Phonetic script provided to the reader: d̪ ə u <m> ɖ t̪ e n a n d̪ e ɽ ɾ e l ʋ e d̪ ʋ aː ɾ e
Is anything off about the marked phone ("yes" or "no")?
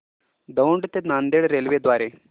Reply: yes